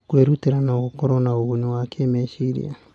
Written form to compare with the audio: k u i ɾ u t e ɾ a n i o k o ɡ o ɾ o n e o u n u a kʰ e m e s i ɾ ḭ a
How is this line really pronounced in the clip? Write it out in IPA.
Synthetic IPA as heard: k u e ɾ u t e ɾ a n a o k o k o ɾ o n a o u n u a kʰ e m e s i ɾ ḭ a